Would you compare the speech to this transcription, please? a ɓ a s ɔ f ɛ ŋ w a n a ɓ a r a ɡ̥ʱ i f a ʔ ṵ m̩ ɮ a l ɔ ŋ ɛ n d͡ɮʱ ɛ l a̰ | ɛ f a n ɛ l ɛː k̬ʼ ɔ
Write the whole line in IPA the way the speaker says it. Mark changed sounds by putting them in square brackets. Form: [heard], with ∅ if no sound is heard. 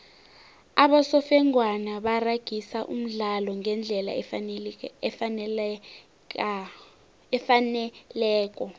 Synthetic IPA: a ɓ a s ɔ f ɛ ŋ w a n a ɓ a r a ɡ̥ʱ i [s] a ʔ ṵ m̩ ɮ a l ɔ ŋ ɛ n d͡ɮʱ ɛ l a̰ | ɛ f a n ɛ l ɛː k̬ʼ ɔ